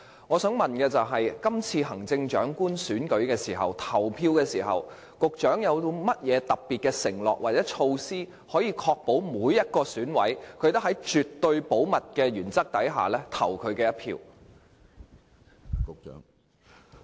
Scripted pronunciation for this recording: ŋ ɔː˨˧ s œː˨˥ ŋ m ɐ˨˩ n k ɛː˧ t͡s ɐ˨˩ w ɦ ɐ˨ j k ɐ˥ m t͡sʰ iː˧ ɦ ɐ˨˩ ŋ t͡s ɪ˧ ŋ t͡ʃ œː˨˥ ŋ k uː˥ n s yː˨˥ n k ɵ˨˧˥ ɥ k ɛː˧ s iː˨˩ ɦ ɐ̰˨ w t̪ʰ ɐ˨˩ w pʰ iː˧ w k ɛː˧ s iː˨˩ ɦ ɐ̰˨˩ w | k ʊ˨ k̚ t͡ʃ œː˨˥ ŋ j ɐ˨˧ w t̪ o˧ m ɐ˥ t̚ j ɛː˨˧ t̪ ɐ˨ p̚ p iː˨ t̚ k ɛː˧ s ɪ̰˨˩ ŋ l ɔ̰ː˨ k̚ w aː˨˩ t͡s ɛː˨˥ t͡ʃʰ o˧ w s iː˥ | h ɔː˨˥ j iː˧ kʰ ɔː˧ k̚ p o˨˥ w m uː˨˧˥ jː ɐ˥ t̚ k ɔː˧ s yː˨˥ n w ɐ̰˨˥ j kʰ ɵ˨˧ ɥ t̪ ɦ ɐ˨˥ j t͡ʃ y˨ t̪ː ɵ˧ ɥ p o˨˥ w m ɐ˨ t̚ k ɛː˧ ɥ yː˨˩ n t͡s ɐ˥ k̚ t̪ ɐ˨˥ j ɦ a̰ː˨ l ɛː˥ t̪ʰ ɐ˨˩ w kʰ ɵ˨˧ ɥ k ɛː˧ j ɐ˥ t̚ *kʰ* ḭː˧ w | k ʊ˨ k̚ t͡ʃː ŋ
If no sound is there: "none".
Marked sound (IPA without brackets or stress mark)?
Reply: pʰ